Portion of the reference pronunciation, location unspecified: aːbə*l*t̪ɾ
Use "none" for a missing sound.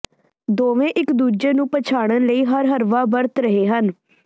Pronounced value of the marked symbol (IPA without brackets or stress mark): ɾ